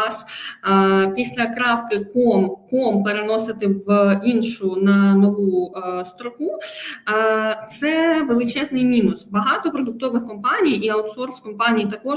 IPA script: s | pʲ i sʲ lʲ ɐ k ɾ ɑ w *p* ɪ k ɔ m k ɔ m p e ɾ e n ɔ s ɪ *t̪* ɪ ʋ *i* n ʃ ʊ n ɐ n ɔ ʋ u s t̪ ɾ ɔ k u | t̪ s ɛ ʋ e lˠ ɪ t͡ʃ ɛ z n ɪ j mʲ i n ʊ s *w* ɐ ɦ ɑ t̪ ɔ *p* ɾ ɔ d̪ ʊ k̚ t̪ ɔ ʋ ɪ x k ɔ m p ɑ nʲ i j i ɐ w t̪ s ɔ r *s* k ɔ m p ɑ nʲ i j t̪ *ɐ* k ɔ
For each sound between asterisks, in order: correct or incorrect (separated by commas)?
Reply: incorrect, correct, correct, incorrect, correct, correct, correct